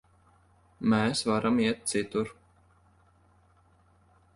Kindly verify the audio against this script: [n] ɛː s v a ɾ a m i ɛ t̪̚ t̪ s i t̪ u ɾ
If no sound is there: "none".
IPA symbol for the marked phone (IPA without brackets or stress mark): m